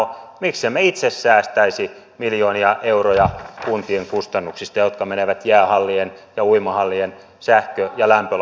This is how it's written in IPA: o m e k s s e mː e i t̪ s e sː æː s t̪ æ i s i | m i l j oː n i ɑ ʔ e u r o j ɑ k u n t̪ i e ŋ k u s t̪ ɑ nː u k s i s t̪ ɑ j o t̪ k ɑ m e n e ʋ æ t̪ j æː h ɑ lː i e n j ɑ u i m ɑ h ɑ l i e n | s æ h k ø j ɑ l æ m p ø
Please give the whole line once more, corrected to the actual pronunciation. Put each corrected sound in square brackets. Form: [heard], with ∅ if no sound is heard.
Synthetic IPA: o m [i] k s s e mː e i t̪ s e sː æː s t̪ æ i s i | m i l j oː n i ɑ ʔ e u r o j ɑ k u n t̪ i e ŋ k u s t̪ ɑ nː u k s i s t̪ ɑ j o t̪ k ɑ m e n e ʋ æ t̪ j æː h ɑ lː i e n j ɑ u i m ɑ h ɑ [lː] i e n | s æ h k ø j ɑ l æ m p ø